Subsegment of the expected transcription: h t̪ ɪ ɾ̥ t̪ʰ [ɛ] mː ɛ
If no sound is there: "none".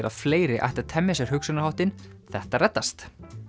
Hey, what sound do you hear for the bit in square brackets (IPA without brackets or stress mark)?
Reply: ɛ